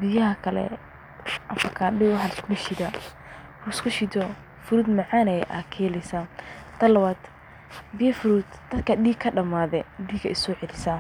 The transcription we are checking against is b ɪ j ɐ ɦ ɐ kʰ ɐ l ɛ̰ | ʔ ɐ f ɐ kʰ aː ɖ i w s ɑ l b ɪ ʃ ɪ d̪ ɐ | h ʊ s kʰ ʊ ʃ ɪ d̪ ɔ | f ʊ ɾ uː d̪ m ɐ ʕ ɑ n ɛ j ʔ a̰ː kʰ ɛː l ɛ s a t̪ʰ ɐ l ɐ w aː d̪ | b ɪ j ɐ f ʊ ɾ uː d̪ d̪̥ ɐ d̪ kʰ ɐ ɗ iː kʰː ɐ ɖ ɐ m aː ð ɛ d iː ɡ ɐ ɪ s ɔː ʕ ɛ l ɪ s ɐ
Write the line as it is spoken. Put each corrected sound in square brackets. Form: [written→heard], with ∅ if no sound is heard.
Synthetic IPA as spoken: b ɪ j ɐ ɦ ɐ kʰ ɐ l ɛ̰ | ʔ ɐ f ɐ kʰ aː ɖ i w [s→ħ] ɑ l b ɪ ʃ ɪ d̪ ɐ | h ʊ s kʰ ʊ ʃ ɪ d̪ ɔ | f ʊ ɾ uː d̪ m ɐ ʕ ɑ n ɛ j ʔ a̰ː kʰ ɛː l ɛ s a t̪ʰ ɐ l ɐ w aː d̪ | b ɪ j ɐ f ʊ ɾ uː d̪ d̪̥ ɐ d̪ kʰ ɐ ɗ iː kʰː ɐ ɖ ɐ m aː ð ɛ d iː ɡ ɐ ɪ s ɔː ʕ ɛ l ɪ s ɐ